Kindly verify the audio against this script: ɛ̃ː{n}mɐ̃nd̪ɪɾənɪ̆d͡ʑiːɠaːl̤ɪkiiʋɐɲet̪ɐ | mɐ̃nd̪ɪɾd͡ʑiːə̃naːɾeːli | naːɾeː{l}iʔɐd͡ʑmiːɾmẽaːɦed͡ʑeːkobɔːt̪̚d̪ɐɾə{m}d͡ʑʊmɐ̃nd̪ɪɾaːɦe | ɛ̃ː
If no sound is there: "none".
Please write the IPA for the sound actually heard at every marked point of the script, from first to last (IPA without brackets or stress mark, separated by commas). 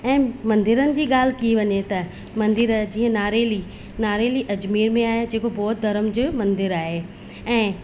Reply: none, l, m